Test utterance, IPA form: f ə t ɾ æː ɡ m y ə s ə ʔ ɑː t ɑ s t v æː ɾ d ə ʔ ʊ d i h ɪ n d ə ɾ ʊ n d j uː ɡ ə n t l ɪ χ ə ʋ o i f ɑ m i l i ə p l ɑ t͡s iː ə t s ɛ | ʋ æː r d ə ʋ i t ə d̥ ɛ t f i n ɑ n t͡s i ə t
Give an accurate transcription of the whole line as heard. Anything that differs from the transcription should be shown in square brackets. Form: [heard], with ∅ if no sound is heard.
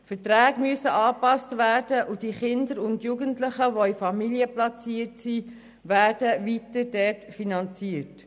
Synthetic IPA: f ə t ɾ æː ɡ m y ə s ə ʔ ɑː [p] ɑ s t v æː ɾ d ə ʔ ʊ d i [χ] ɪ n d ə ɾ ʊ n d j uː ɡ ə n t l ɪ χ ə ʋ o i f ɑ m i l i ə p l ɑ t͡s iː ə t s [i] | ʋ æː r d ə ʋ i t ə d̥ ɛ t f i n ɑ n t͡s i ə t

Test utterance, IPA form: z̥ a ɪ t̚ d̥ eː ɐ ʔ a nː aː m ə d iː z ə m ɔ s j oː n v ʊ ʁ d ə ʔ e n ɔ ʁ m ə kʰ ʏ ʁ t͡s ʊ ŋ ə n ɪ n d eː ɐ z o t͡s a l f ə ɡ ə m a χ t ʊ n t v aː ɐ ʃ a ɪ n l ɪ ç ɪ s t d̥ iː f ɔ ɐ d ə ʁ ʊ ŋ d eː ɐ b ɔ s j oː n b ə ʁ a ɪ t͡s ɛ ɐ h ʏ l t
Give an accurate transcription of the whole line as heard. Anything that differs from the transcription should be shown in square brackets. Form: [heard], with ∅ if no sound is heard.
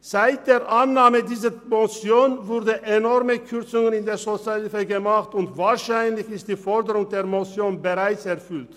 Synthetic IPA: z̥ a ɪ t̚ d̥ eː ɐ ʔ a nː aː m ə d iː z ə m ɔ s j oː n v ʊ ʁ d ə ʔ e n ɔ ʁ m ə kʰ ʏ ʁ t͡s ʊ ŋ ə n ɪ n d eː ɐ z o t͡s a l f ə ɡ ə m a χ t ʊ n t v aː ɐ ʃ a ɪ n l ɪ ç ɪ s t d̥ iː f ɔ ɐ d ə ʁ ʊ ŋ d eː ɐ [m] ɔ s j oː n b ə ʁ a ɪ t͡s ɛ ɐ [f] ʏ l t

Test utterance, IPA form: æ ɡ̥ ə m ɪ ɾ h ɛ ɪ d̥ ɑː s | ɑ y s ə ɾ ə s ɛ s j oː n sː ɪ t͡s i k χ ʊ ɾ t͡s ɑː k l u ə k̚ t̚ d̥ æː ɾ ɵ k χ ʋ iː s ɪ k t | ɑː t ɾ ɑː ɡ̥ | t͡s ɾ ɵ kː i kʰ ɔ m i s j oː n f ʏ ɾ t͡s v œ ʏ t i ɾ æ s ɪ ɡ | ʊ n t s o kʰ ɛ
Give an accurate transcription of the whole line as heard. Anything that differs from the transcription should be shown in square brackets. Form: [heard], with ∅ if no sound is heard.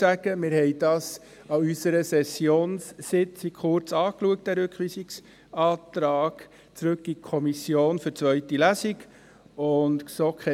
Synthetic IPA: æ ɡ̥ ə m ɪ ɾ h ɛ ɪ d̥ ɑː s | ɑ y s ə ɾ ə s ɛ s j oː n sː ɪ t͡s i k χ ʊ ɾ t͡s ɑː k l u ə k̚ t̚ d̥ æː ɾ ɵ k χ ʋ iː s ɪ k [s] | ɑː t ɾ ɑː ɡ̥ | t͡s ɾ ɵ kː i kʰ ɔ m i s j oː n f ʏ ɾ t͡s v œ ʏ t i [l] æ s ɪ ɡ | ʊ n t s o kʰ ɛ

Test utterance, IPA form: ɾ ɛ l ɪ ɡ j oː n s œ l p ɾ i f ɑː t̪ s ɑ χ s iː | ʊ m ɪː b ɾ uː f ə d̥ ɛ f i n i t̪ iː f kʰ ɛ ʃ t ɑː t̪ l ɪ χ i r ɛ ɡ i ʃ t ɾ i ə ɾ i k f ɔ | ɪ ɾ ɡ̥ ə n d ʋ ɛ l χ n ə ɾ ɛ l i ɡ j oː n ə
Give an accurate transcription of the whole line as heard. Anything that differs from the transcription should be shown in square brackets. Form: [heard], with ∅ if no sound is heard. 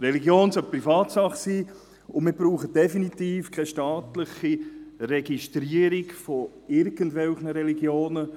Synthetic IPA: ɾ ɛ l [i] ɡ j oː n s œ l p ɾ i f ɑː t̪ s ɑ χ s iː | ʊ m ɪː b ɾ uː [χ] ə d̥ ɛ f i n i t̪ iː f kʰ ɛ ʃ t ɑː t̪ l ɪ χ i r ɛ ɡ i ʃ t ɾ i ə ɾ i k f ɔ | ɪ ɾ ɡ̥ ə n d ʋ ɛ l χ n ə ɾ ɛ l i ɡ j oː n ə

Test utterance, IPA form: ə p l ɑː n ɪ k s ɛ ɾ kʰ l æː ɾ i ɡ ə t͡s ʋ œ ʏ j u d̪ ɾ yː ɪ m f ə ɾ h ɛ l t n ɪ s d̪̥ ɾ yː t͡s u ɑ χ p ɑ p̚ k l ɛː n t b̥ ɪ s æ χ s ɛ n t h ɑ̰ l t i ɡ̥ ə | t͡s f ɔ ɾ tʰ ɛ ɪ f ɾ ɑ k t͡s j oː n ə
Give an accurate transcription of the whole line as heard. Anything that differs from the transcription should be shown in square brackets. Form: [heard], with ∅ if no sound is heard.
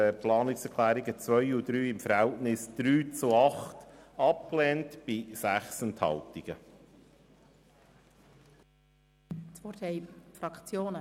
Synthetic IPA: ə p l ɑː n ɪ k s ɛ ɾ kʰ l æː ɾ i ɡ ə t͡s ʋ œ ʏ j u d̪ ɾ yː ɪ m f ə ɾ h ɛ l t n ɪ s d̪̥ ɾ yː t͡s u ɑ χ [t] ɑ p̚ k l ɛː n t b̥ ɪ s æ χ s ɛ n t h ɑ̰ l t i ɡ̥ ə | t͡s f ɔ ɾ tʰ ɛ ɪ f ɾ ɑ k t͡s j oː n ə

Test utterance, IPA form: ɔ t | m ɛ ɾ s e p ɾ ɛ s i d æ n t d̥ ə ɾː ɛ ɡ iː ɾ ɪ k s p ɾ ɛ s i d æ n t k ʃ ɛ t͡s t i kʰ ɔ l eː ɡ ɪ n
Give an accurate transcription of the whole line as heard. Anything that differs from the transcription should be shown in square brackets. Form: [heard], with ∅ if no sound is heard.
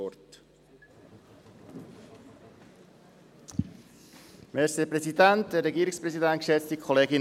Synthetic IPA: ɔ t | m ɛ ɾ s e p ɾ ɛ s i d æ n t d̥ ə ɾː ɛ ɡ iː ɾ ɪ k s p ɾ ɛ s i d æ n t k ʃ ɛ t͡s t i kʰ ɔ l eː ɡ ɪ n

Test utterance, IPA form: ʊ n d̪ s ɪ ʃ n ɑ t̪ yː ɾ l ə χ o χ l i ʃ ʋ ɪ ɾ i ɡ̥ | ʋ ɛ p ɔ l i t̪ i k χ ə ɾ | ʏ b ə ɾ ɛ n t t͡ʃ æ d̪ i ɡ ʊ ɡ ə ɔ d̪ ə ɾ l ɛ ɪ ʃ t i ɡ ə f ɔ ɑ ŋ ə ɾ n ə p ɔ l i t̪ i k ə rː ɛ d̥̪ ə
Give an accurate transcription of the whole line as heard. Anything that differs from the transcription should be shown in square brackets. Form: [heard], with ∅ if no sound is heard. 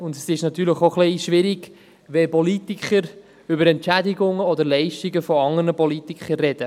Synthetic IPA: ʊ n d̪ s ɪ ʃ n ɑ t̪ yː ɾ l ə χ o χ l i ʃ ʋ ɪ ɾ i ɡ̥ | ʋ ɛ p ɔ l i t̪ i k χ ə ɾ | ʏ b ə ɾ ɛ n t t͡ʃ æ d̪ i ɡ ʊ [ŋ] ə ɔ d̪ ə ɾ l ɛ ɪ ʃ t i ɡ ə f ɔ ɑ ŋ ə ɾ n ə p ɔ l i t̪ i k ə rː ɛ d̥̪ ə

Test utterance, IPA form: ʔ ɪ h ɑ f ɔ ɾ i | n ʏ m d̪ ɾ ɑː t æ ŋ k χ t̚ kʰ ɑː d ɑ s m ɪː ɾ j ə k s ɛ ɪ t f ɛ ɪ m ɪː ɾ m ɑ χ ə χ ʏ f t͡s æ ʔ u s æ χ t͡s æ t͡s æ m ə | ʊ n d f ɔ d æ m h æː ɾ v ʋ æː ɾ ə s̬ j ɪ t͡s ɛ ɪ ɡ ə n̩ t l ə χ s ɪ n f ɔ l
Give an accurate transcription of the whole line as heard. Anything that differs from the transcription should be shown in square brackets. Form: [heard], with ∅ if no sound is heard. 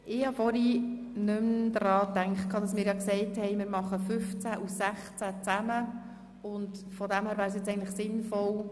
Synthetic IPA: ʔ ɪ h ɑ f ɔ ɾ i | n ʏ m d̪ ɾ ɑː t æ ŋ k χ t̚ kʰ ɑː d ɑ s m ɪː ɾ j [ɑ] k s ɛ ɪ t [h] ɛ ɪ m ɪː ɾ m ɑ χ ə [f] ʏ f t͡s æ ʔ u s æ χ t͡s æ t͡s æ m ə | ʊ n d f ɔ d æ m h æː ɾ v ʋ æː ɾ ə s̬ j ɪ t͡s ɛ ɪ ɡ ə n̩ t l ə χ s ɪ n f ɔ l

